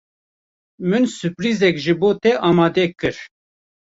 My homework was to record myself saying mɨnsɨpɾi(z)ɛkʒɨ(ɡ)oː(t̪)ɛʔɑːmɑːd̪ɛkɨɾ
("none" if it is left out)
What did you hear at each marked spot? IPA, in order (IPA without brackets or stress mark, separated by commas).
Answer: z, b, t̪